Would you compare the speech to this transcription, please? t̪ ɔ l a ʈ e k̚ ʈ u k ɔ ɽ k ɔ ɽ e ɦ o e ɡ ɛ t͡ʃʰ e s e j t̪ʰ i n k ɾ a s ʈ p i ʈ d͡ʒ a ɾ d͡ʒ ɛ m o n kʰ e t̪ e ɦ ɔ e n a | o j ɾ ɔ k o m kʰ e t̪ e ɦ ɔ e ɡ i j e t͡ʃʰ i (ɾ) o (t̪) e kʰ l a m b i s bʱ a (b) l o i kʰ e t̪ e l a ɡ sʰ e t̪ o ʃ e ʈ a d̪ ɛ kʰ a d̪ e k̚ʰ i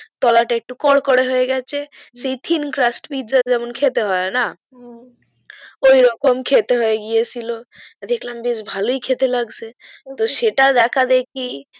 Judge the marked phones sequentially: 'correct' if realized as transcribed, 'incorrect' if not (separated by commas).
incorrect, incorrect, incorrect